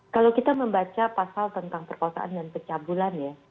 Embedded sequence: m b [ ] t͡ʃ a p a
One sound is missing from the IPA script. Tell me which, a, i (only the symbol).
a